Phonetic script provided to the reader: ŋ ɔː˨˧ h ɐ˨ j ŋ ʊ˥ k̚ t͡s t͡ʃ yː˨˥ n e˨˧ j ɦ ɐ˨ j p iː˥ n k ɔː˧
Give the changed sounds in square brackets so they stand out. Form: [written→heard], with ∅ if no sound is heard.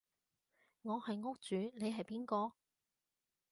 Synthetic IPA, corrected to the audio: ŋ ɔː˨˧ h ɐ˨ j ŋ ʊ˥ k̚ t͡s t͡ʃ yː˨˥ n e˨˧ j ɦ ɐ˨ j p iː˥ n k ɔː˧

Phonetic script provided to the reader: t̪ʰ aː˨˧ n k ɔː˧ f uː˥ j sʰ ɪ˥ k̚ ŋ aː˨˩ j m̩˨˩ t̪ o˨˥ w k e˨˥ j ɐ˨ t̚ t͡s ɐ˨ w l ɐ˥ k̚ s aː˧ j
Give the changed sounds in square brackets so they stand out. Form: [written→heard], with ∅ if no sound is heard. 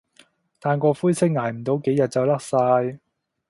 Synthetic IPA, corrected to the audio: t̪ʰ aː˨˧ n k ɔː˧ f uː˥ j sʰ ɪ˥ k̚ ŋ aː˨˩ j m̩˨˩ t̪ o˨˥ w k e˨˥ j ɐ˨ t̚ t͡s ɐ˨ w l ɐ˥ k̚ s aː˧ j

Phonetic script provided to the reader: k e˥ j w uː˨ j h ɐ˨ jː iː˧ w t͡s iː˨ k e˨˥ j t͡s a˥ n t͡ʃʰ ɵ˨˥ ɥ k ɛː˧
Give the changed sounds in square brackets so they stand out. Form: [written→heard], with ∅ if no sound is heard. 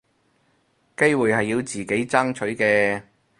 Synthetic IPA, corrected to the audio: k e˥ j w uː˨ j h ɐ˨ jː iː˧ w t͡s iː˨ k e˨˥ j t͡s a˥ [n→ŋ] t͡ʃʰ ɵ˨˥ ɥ k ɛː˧

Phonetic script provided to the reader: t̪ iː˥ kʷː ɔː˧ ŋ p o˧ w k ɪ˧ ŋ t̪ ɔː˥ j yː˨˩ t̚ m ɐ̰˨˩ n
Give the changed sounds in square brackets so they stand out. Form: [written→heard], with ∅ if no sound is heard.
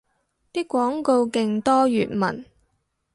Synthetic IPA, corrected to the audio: t̪ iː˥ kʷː [ɔː˧→ɔː˨˥] ŋ [p→k] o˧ w k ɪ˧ ŋ t̪ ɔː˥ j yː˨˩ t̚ m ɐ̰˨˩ n

